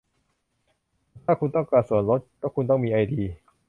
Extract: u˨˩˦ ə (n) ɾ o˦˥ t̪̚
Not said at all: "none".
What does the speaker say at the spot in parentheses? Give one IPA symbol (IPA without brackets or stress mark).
n